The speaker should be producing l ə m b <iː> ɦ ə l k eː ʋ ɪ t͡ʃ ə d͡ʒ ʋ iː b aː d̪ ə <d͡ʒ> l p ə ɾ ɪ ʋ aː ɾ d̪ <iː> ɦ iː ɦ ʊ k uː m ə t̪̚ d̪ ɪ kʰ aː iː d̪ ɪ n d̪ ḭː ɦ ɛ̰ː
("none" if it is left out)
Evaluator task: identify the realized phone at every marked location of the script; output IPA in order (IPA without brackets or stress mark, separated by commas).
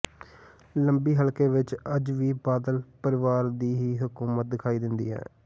iː, none, iː